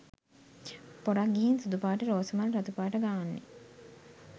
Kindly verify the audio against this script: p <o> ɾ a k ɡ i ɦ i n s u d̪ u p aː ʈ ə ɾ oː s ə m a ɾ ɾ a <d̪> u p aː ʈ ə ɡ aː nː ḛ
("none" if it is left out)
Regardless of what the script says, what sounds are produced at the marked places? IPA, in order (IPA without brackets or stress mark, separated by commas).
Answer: o, t̪